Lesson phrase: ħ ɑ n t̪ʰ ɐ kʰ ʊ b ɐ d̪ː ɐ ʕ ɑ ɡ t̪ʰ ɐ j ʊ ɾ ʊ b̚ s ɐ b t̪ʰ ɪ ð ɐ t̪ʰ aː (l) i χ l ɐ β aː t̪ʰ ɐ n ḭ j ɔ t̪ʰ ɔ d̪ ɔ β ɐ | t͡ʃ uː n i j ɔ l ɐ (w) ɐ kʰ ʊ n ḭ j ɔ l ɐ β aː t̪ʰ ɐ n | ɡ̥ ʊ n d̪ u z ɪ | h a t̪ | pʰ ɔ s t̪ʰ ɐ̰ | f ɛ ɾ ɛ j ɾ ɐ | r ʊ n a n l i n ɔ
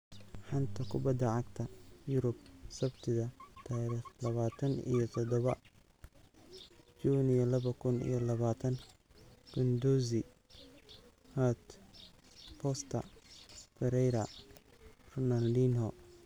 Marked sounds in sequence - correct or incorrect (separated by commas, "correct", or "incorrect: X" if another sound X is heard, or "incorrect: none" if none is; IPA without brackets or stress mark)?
incorrect: ɾ, incorrect: β